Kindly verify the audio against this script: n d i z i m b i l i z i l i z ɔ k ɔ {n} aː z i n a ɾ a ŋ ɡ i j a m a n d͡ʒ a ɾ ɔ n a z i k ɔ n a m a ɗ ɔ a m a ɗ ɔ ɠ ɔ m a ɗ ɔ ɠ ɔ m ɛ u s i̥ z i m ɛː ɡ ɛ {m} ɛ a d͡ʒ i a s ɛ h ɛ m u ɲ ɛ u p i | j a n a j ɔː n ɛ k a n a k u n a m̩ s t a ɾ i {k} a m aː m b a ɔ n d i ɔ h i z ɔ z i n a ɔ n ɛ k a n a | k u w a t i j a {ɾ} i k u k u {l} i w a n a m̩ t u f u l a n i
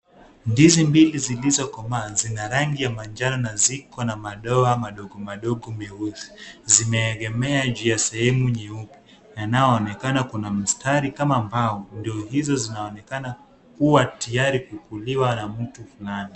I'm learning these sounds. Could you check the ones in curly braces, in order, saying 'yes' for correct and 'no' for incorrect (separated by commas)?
no, yes, yes, yes, yes